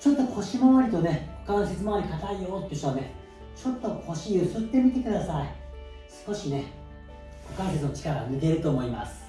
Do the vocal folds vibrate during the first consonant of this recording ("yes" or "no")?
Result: no